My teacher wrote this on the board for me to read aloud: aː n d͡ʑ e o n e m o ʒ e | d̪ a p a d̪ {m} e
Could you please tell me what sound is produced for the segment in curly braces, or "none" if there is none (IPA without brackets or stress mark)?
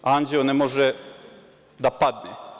n